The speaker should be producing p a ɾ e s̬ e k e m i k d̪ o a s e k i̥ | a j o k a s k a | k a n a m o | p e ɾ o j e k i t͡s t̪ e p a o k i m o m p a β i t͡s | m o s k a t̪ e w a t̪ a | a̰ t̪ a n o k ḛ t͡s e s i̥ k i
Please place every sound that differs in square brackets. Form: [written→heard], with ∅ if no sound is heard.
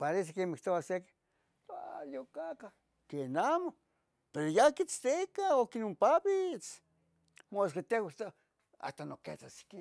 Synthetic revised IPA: p a ɾ e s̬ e k e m i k [d̪→t̪] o a s e k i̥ | a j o k a [s→∅] k a | k [a→e] n a m o | p e ɾ o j [e→a] k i t͡s t̪ e [p→k] a o k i [m→n] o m p a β i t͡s | m o s k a t̪ e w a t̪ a | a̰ t̪ a n o k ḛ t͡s [e→a] s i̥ k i